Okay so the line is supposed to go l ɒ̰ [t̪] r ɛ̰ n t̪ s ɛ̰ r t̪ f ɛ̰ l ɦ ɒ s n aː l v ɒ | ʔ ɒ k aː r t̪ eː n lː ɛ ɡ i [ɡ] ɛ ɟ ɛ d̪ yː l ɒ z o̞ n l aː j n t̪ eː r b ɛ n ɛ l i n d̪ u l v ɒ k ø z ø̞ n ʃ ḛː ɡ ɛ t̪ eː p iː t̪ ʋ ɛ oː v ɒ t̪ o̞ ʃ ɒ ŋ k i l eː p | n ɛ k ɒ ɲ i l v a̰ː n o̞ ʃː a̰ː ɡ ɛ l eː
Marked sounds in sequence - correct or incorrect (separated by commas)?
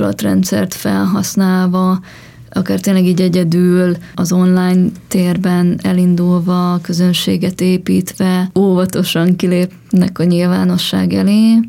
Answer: correct, incorrect